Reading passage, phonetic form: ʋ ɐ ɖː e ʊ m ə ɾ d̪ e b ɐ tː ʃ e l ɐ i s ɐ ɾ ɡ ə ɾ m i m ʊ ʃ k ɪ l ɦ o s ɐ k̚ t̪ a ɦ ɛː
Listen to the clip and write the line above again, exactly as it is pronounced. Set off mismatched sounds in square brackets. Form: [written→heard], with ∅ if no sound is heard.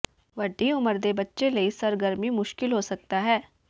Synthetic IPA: ʋ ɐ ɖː [e→i] ʊ m ə ɾ d̪ e b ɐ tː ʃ e l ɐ i s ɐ ɾ ɡ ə ɾ m i m ʊ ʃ k ɪ l ɦ o s ɐ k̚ t̪ a ɦ ɛː